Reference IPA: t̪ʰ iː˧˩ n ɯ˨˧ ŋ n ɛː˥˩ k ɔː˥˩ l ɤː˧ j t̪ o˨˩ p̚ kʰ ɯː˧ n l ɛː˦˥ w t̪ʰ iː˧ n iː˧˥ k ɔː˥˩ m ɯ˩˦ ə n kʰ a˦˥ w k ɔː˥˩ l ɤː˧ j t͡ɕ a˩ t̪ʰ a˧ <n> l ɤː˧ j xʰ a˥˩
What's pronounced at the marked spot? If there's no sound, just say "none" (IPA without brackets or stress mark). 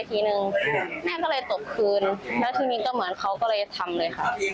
m